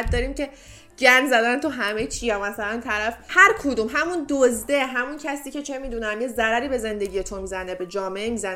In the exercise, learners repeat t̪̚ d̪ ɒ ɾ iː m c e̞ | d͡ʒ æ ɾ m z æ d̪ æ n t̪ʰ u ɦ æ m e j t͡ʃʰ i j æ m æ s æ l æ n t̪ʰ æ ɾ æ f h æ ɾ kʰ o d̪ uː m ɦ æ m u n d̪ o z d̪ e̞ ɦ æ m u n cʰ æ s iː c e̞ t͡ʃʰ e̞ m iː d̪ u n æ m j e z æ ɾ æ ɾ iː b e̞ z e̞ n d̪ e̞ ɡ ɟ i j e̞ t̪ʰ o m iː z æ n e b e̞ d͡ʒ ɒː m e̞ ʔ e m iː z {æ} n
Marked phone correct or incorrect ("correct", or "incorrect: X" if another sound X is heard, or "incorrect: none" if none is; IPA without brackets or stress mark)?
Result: correct